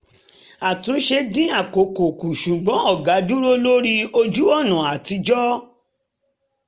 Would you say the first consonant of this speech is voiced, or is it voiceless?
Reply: voiceless